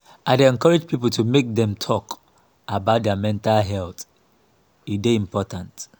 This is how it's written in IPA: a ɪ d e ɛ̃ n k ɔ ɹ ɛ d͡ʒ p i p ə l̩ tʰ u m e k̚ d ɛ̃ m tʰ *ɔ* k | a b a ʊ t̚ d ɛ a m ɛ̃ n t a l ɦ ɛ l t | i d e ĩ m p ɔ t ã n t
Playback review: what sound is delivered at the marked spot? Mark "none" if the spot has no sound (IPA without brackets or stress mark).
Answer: ɔ